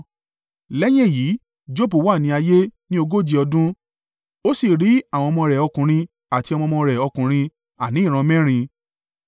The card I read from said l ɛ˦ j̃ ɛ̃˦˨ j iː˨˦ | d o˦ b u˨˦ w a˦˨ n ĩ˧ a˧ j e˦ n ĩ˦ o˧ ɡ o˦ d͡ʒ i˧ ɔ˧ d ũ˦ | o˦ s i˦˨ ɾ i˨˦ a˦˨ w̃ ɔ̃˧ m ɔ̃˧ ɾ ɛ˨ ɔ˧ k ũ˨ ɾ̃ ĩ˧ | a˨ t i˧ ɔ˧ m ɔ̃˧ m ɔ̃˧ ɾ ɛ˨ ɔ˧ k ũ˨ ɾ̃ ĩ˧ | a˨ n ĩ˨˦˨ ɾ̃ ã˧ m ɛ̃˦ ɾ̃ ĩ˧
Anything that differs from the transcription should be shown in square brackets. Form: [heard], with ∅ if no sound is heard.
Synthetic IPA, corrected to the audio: l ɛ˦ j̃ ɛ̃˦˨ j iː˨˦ | [d͡ʒ] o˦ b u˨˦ w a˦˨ n ĩ˧ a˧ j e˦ n ĩ˦ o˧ ɡ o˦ d͡ʒ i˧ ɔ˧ d ũ˦ | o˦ s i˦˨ ɾ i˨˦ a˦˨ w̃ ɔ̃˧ m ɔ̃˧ ɾ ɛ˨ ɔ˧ k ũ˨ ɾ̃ ĩ˧ | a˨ t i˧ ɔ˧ m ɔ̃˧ m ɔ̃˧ ɾ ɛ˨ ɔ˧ k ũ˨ ɾ̃ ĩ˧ | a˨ n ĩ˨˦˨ ɾ̃ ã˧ m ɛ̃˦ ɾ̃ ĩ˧

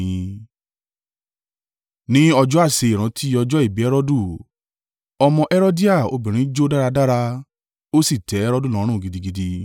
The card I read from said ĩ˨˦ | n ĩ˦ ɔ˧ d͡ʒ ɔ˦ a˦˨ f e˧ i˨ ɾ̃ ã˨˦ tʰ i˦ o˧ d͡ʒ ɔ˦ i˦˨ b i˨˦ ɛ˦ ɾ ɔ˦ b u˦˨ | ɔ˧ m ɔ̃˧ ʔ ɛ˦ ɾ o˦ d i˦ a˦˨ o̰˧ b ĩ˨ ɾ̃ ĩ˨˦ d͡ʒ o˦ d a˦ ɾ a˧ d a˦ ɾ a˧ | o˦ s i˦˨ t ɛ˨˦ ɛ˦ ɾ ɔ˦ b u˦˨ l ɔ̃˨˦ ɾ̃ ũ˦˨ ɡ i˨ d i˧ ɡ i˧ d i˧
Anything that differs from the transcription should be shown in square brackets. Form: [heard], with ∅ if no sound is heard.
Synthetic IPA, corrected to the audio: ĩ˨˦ | n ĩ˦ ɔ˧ d͡ʒ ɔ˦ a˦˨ [s] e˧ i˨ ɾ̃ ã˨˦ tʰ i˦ [ɔ˧] d͡ʒ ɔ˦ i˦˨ b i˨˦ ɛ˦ ɾ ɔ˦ [d] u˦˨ | ɔ˧ m ɔ̃˧ ʔ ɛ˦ ɾ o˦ d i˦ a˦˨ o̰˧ b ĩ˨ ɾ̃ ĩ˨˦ d͡ʒ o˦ d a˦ ɾ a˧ d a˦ ɾ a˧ | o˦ s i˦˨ t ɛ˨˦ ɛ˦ ɾ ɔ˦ [d] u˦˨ l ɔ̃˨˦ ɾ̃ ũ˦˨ ɡ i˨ d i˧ ɡ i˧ d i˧

